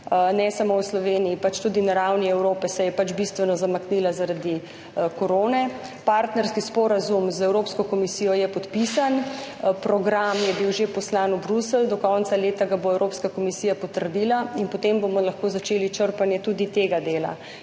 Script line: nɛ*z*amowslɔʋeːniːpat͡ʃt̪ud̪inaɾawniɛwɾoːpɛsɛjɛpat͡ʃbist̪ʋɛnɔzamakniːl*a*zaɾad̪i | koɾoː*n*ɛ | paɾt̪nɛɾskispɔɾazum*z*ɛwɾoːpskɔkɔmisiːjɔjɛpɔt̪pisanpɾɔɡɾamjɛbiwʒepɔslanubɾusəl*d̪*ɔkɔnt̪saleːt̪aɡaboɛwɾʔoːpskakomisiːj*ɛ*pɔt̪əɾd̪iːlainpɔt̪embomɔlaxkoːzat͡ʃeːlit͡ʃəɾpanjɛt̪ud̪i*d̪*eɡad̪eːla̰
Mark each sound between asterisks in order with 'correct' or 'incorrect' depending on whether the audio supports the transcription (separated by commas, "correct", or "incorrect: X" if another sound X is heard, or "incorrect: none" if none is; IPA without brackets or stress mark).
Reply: incorrect: s, correct, correct, correct, correct, incorrect: a, incorrect: t̪